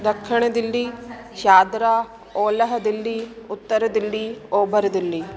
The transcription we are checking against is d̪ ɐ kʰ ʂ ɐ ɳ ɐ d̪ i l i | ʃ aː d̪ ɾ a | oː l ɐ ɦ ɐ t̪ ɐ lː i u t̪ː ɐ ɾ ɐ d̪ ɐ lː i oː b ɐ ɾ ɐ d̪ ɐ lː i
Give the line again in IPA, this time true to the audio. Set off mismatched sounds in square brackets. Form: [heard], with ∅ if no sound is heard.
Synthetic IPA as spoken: d̪ ɐ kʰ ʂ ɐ ɳ ɐ d̪ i [lː] i | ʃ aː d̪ ɾ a | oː l ɐ ɦ ɐ [d̪] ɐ lː i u t̪ː ɐ ɾ ɐ d̪ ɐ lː i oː b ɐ ɾ ɐ d̪ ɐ lː i